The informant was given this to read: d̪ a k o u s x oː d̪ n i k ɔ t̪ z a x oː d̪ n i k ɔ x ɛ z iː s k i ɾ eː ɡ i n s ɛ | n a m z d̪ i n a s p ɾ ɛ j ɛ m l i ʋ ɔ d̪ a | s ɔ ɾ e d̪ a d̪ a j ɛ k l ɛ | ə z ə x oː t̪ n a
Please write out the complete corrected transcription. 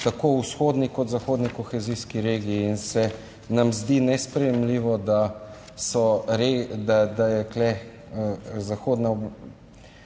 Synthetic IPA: t̪ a k o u s x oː d̪ n i k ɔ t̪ z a x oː d̪ n i k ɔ x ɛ z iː s k i ɾ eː ɡ iː n s ɛ | n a m z d̪ i n ɛ s p ɾ ɛ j ɛ m l i ʋ ɔ d̪ a | s ɔ ɾ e d̪ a d̪ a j ɛ k l ɛ | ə z a x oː d̪ n a